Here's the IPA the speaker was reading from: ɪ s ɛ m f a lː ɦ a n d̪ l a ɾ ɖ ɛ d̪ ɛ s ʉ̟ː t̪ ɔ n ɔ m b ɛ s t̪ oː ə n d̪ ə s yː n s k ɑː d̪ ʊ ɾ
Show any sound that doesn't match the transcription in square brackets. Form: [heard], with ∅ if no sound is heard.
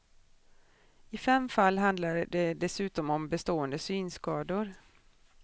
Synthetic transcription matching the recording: ɪ [f] ɛ m f a lː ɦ a n d̪ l a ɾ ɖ ɛ d̪ ɛ s ʉ̟ː t̪ ɔ [m] ɔ m b ɛ s t̪ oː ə n d̪ ə s yː n s k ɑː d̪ ʊ ɾ